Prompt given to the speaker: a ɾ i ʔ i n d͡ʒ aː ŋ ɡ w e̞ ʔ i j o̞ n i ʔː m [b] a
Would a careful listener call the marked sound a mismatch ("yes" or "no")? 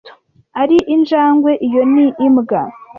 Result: yes